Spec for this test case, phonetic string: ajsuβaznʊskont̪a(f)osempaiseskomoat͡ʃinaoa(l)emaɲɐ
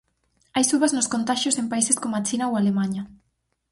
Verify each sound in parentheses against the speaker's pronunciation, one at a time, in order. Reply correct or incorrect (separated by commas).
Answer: incorrect, correct